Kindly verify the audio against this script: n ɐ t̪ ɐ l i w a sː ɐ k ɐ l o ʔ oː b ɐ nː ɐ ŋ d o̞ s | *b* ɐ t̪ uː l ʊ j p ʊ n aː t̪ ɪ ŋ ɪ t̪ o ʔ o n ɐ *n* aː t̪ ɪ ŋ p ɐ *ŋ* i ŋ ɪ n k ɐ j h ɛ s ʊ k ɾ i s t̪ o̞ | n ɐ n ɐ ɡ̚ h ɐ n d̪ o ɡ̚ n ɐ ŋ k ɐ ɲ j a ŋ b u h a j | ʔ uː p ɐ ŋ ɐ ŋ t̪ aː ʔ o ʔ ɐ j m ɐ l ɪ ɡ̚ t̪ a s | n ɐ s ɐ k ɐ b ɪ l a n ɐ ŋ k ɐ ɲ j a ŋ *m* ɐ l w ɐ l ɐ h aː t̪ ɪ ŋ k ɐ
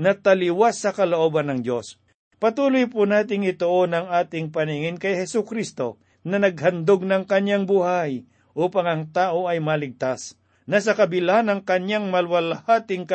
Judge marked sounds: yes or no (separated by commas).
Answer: no, no, no, yes